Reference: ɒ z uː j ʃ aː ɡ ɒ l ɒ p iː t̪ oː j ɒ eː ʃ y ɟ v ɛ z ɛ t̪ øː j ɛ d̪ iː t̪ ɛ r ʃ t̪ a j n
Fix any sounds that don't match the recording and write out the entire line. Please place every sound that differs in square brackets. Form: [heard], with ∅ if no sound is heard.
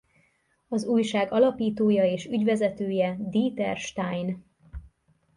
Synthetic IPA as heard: ɒ z uː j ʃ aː ɡ ɒ l ɒ p iː t̪ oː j ɒ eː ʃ y ɟ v ɛ z ɛ t̪ øː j ɛ d̪ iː t̪ ɛ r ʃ t̪ a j n